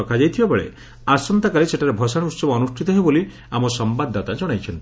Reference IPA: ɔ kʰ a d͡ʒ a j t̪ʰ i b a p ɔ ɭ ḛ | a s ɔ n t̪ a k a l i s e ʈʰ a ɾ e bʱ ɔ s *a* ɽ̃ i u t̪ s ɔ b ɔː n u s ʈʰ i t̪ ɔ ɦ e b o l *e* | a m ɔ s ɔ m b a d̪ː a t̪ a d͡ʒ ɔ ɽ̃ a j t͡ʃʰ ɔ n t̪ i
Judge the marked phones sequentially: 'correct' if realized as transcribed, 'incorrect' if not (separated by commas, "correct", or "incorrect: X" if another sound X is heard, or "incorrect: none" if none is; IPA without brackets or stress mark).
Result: correct, incorrect: i